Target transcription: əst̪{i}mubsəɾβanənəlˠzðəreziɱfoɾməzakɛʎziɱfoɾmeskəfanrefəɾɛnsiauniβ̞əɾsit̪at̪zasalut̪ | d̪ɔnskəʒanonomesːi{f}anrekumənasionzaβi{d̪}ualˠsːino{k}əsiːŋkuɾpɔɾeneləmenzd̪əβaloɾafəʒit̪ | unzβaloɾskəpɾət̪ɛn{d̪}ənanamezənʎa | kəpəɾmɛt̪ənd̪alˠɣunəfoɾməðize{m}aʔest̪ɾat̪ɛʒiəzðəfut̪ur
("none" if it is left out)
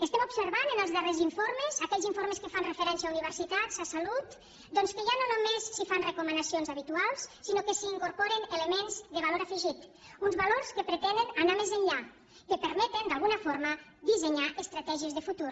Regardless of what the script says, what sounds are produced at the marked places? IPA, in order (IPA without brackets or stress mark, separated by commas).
ɛ, f, t̪, k, d̪, ɲ